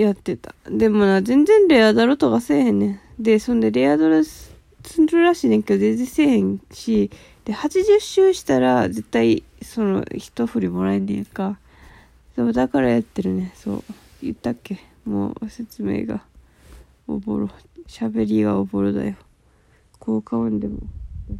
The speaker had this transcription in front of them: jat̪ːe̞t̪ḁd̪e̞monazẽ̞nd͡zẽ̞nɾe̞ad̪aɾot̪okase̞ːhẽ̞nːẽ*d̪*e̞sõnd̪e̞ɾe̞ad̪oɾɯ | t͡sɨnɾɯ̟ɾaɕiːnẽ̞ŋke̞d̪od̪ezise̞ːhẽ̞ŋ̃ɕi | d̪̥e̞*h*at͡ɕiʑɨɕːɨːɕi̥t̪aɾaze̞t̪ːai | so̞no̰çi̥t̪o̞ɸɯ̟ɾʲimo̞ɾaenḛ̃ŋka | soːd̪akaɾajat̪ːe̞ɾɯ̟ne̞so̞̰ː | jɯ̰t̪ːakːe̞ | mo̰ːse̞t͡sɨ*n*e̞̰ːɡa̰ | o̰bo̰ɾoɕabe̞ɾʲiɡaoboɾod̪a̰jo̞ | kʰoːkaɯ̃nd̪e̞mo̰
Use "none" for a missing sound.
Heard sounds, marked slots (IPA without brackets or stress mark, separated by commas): d̪, h, m